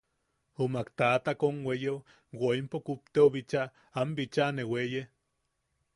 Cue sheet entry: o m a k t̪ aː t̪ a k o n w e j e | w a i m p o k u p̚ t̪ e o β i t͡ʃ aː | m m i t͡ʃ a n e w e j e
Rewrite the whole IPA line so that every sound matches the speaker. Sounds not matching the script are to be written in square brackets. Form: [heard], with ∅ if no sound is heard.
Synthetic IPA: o m a k t̪ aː t̪ a k o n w e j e | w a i m p o k u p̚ t̪ e o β i t͡ʃ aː | m [b] i t͡ʃ a n e w e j e